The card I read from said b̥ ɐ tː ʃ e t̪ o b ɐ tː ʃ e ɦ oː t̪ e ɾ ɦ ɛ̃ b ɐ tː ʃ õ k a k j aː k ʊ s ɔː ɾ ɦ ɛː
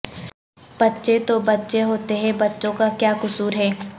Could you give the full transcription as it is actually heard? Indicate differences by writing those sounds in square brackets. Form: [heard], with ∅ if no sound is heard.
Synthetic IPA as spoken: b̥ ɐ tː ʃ e t̪ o b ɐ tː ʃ e ɦ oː t̪ e [∅] ɦ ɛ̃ b ɐ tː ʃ õ k a k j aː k ʊ s [uː] ɾ ɦ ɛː